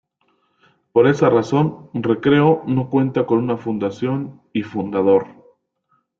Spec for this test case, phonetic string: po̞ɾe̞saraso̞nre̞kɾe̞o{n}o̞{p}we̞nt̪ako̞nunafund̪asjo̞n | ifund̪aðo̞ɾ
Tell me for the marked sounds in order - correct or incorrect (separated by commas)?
correct, incorrect